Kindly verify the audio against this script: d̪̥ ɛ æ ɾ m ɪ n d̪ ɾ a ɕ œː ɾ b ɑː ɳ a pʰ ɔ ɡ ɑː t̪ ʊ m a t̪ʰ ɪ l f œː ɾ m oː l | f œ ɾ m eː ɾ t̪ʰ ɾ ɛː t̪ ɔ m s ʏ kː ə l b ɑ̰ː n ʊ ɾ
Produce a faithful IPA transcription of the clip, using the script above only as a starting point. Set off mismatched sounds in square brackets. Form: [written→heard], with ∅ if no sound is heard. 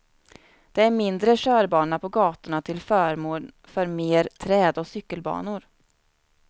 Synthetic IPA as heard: d̪̥ ɛ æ ɾ m ɪ n d̪ ɾ [a→ə] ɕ œː ɾ b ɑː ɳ a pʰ ɔ ɡ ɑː t̪ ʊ [m→ɳ] a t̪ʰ ɪ l f œː ɾ m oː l | f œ ɾ m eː ɾ t̪ʰ ɾ ɛː [t̪→d̪] ɔ [m→∅] s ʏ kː ə l b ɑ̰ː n ʊ ɾ